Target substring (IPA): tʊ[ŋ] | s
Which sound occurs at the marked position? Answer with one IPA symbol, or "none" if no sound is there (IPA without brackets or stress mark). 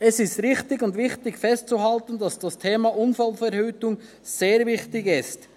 ŋ